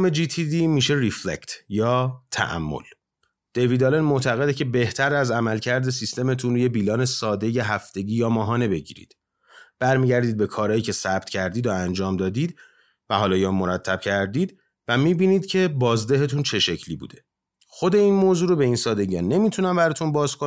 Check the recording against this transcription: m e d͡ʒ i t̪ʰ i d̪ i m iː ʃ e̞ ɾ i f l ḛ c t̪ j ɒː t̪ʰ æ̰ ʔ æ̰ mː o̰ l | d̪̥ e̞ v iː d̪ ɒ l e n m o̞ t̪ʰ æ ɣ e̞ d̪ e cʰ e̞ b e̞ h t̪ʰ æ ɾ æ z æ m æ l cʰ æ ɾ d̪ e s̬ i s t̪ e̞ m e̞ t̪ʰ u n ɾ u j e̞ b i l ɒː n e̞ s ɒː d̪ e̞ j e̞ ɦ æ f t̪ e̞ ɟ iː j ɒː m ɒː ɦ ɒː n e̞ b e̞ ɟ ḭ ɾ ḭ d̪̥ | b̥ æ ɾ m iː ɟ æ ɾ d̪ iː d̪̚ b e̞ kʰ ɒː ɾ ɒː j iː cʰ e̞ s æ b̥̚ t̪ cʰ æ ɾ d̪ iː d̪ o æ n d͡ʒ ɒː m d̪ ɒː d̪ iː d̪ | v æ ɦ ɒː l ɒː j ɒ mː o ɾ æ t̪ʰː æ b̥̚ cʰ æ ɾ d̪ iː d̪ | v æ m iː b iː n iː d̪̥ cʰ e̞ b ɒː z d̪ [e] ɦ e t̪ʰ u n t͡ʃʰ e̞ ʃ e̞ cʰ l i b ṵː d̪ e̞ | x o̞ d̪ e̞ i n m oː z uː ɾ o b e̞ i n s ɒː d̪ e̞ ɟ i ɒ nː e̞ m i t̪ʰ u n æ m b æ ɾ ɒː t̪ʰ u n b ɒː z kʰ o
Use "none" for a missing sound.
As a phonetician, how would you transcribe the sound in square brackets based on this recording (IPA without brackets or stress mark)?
e